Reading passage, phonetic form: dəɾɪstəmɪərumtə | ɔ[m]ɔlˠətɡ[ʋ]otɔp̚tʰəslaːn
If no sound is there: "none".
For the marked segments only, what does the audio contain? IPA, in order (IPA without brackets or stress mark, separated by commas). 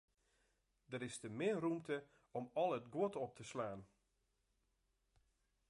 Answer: m, w